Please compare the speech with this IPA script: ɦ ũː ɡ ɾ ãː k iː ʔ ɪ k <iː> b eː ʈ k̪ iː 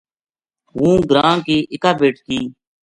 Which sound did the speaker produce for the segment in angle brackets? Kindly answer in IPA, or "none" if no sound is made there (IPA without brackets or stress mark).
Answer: aː